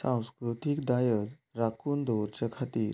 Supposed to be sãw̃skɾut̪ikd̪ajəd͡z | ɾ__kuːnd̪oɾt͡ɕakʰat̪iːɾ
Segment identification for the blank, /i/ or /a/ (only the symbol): a